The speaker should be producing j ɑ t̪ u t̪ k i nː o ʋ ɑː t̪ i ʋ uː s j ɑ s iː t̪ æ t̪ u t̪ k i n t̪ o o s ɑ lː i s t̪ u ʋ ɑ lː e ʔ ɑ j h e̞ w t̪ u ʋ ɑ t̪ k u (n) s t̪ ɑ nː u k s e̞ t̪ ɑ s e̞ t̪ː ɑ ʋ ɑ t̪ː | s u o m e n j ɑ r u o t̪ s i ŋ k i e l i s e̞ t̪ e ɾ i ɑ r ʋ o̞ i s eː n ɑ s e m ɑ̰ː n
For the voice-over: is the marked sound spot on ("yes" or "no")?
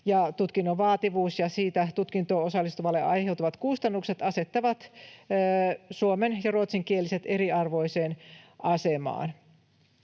no